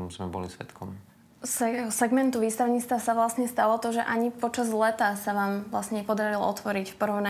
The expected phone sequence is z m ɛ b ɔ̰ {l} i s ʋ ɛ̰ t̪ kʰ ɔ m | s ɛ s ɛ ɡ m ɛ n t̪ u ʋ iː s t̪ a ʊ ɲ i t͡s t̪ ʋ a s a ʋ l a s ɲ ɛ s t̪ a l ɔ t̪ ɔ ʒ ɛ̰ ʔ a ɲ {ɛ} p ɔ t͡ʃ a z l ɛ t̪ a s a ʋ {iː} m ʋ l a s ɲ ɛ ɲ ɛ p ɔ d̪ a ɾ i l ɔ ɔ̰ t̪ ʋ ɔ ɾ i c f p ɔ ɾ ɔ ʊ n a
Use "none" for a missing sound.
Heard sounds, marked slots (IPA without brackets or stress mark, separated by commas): l, i, aː